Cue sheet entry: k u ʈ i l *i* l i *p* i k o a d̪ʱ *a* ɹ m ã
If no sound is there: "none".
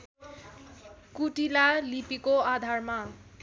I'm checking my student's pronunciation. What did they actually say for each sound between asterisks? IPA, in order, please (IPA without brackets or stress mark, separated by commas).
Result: a, p, a